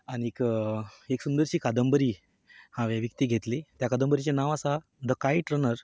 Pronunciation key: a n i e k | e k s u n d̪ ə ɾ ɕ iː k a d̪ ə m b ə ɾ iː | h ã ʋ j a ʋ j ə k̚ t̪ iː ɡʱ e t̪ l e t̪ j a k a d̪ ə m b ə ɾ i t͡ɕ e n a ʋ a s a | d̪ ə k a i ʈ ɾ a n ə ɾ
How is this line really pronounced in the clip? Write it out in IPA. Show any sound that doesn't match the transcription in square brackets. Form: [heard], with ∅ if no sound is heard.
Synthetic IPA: a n i e k | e k s u n d̪ ə ɾ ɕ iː k a d̪ ə m b ə ɾ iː | h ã ʋ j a ʋ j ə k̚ t̪ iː ɡʱ e t̪ l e t̪ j a k a d̪ ə m b ə ɾ i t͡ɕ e n a ʋ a s a | d̪ ə k a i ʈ ɾ [ə] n ə ɾ

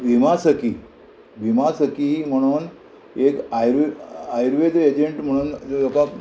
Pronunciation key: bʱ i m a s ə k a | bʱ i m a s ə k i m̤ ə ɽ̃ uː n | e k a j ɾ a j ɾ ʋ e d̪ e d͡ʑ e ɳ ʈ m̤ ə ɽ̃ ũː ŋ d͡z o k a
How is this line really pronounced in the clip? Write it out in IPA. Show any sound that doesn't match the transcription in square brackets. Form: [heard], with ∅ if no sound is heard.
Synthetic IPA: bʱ i m a s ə k [i] | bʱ i m a s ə k i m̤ ə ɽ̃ uː n | e k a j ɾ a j ɾ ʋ e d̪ e d͡ʑ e ɳ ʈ m̤ ə ɽ̃ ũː [n] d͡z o k a

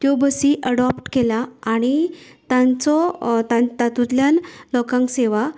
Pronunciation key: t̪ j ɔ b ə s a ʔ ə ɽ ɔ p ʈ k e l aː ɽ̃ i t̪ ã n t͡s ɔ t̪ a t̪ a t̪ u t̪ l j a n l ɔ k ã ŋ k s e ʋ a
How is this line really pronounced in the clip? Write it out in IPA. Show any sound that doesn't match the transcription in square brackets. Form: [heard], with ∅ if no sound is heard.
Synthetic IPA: t̪ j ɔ b ə s [i] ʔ ə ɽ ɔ p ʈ k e l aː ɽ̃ i t̪ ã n t͡s ɔ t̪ a t̪ a t̪ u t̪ l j a n l ɔ k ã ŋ k s e ʋ a

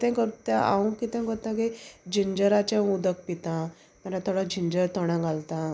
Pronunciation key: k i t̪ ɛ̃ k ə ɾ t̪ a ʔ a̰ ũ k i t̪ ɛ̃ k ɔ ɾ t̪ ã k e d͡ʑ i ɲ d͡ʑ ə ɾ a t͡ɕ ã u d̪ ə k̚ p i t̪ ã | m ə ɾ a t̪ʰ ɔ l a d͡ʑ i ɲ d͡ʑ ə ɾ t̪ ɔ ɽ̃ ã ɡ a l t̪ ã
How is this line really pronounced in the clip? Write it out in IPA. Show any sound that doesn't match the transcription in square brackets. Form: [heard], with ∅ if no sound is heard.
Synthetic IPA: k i t̪ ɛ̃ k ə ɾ t̪ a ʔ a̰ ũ k i t̪ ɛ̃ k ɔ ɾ t̪ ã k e d͡ʑ i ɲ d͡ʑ ə ɾ a t͡ɕ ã u d̪ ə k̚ p i t̪ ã | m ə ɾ a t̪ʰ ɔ [ɽ] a d͡ʑ i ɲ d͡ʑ ə ɾ t̪ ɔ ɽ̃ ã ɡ a l t̪ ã

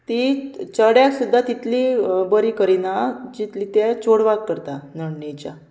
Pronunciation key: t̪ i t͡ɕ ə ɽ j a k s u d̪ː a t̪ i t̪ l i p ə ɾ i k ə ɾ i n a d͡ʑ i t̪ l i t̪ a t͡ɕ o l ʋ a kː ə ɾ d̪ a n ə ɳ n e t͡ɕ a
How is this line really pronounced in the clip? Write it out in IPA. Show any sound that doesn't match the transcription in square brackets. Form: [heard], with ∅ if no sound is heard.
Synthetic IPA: t̪ i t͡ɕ ə ɽ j a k s u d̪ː a t̪ i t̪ l i [b] ə ɾ i k ə ɾ i n a d͡ʑ i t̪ l i t̪ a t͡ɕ o [ɽ] ʋ a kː ə ɾ [t̪] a n ə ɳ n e t͡ɕ a

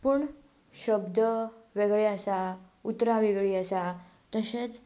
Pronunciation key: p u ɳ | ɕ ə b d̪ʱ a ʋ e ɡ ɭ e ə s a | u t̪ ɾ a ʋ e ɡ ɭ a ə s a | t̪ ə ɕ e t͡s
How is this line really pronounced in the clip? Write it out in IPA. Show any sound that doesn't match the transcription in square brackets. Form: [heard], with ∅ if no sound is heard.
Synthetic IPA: p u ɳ | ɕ ə b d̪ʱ [ə] ʋ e ɡ ɭ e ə s a | u t̪ ɾ a ʋ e ɡ ɭ [i] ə s a | t̪ ə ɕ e t͡s

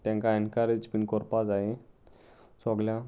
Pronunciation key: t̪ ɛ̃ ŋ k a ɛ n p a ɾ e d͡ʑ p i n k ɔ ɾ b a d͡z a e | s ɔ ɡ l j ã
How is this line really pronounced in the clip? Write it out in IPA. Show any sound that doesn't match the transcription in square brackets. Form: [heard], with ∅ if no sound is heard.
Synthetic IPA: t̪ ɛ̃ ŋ k a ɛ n [k] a ɾ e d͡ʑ p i n k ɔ ɾ [p] a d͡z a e | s ɔ ɡ l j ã

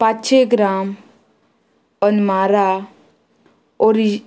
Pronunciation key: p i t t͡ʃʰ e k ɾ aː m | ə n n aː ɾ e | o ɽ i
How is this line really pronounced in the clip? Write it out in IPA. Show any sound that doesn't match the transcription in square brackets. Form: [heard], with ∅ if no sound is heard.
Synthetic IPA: p [a] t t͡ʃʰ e [ɡ] ɾ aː m | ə n [m] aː ɾ [a] | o [ɾ] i

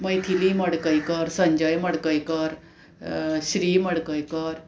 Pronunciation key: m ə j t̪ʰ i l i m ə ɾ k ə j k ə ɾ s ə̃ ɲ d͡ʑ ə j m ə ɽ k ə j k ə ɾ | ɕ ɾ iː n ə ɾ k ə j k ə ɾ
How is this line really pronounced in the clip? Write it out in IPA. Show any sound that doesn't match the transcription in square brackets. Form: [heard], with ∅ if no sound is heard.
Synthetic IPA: m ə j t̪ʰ i l i m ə [ɽ] k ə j k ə ɾ s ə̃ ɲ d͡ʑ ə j m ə ɽ k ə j k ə ɾ | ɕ ɾ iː [m] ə [ɽ] k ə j k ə ɾ

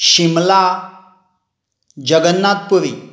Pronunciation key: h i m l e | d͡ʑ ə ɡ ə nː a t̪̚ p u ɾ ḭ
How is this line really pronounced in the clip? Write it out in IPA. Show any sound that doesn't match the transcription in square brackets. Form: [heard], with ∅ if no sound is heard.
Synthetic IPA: [ɕ] i m l [a] | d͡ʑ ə ɡ ə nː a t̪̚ p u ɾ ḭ

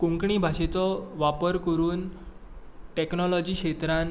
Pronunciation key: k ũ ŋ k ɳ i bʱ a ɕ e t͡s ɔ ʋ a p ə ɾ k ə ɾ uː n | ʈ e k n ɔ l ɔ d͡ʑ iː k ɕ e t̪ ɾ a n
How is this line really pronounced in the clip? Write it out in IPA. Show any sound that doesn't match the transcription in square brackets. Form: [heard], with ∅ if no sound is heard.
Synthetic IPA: k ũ ŋ k ɳ i bʱ a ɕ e t͡s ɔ ʋ a p ə ɾ k ə ɾ uː n | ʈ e k n ɔ l ɔ d͡ʑ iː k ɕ e t̪ ɾ a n

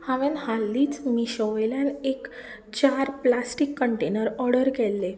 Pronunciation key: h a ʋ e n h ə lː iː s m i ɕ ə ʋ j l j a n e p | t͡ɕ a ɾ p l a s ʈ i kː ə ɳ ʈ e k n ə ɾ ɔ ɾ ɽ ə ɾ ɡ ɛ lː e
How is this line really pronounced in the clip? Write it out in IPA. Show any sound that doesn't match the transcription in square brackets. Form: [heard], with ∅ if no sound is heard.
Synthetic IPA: h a ʋ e n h [a] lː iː [t͡s] m i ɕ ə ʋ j l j a n e [k] | t͡ɕ a ɾ p l a s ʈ i kː ə ɳ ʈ e [∅] n ə ɾ ɔ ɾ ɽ ə ɾ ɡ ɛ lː e

